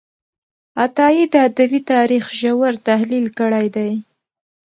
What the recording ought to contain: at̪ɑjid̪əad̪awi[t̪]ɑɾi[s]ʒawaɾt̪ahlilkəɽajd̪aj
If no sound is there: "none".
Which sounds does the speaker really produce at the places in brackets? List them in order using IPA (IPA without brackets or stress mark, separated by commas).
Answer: t̪, x